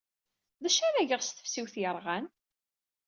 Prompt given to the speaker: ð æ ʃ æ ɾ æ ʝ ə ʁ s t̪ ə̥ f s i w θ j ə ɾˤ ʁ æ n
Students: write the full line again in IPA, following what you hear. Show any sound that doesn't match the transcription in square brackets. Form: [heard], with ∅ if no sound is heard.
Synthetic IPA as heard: ð æ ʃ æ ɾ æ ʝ ə ʁ s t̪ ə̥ f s i w θ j ə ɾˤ ʁ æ n